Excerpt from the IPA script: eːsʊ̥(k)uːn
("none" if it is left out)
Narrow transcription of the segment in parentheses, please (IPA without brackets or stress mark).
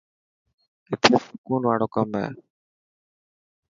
k